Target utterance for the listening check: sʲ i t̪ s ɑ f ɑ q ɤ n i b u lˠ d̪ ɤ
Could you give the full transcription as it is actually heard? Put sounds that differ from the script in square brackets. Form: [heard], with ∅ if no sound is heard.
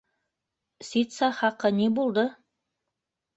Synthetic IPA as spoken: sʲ i t̪ s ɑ [χ] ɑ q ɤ n i b u lˠ d̪ ɤ